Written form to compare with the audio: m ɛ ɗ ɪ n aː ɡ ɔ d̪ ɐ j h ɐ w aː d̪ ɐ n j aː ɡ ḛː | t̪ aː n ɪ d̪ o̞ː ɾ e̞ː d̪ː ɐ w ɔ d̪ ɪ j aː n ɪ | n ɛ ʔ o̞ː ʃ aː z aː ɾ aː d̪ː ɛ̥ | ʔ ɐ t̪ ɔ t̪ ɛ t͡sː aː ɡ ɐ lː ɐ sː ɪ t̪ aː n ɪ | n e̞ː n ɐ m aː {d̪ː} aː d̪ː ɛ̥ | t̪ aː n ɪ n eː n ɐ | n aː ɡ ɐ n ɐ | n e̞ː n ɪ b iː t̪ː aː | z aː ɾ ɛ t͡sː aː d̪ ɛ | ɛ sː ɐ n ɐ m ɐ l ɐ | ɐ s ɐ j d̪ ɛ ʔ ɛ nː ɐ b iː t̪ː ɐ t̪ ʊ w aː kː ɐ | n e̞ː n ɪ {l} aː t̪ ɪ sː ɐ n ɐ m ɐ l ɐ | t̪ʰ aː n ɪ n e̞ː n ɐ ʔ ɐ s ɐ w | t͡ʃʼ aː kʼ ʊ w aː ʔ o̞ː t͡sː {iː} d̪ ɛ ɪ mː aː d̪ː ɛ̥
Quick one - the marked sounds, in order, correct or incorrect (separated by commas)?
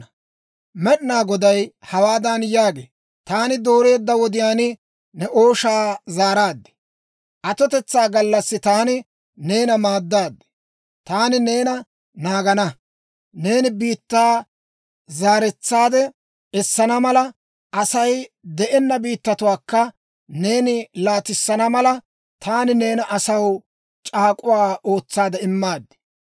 correct, correct, incorrect